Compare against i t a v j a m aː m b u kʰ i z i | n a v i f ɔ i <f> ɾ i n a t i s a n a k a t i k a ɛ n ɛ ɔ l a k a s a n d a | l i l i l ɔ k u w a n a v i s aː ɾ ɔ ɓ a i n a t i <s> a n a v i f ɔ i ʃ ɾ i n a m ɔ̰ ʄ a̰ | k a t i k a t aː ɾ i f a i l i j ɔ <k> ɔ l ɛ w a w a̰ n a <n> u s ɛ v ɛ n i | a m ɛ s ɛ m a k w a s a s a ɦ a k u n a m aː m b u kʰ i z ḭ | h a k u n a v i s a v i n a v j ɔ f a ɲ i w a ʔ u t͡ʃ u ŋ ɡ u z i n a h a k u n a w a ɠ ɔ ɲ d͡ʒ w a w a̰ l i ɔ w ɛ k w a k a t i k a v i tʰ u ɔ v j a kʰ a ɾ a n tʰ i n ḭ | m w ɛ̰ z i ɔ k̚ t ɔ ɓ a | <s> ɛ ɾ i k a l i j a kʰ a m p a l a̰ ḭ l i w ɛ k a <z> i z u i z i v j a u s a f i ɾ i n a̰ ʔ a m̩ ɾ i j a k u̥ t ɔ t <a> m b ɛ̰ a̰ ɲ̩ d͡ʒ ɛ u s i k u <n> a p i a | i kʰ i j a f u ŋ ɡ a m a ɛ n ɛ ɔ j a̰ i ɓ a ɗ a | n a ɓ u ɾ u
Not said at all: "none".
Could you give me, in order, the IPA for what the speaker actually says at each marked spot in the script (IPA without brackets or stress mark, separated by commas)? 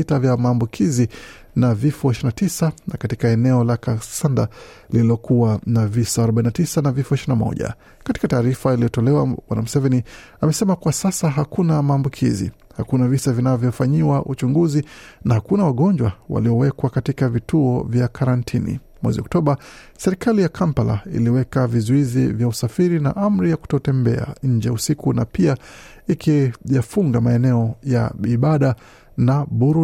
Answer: ʃ, s, t, m, s, v, ɛ, n